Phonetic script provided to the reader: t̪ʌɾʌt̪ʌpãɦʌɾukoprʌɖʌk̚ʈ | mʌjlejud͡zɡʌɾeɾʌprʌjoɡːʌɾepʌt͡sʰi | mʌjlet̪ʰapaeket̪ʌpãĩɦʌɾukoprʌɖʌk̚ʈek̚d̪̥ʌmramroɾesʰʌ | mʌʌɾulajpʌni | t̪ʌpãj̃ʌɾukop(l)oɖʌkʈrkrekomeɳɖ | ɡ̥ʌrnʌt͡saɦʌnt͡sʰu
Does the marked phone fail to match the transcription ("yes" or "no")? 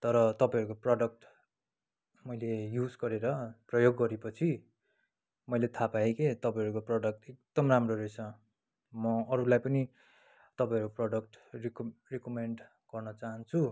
yes